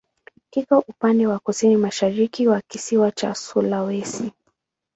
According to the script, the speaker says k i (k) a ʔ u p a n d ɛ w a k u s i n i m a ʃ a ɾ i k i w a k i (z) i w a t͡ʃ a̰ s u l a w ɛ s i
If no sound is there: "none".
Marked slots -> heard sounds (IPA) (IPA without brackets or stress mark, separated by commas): k, s